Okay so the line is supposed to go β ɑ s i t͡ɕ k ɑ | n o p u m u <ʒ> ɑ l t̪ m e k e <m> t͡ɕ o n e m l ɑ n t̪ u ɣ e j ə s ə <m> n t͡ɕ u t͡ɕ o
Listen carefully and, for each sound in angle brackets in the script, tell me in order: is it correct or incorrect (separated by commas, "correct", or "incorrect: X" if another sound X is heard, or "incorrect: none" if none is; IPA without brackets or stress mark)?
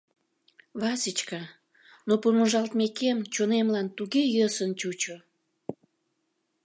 correct, correct, incorrect: none